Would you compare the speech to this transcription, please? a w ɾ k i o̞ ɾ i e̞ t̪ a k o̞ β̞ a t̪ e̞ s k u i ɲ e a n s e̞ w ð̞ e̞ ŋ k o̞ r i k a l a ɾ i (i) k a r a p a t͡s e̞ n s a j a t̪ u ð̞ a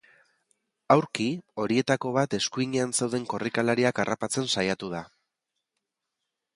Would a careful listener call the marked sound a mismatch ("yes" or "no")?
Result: yes